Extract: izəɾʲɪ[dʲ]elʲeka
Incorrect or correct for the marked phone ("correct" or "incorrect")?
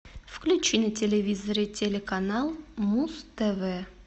incorrect